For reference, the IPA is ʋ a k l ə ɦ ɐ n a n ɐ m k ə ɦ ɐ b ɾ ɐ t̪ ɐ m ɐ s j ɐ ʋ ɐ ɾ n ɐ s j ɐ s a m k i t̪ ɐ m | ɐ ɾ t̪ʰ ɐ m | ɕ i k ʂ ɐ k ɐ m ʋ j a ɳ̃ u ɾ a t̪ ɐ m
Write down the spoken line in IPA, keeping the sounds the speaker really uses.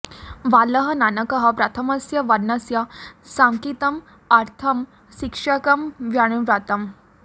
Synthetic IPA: ʋ a l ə ɦ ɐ n a n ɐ k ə ɦ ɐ p ɾ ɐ t̪ʰ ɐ m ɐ s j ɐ ʋ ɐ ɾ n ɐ s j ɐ s a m k i t̪ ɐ m | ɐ ɾ t̪ʰ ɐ m | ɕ i k ʂ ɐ k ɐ m ʋ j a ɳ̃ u ɾ a t̪ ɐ m